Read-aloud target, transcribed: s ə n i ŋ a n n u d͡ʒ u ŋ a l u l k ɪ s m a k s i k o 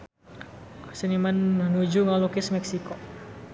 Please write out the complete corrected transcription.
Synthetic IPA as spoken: s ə n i m a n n u d͡ʒ u ŋ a l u k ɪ s m ɛ k s i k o